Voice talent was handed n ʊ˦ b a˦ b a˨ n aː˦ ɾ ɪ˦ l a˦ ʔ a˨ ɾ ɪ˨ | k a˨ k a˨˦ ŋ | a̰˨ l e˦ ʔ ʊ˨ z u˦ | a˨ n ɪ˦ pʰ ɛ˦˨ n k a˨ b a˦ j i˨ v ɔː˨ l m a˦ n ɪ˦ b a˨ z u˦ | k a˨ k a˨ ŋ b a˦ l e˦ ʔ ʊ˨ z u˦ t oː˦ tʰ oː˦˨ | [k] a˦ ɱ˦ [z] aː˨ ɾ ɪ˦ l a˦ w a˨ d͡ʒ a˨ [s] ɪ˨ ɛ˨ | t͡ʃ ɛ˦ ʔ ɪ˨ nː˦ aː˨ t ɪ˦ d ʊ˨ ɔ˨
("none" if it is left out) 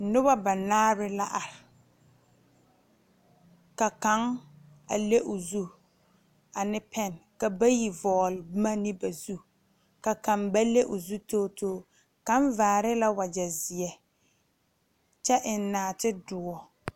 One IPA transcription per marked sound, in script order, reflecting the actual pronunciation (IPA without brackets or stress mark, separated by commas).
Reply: k, v, z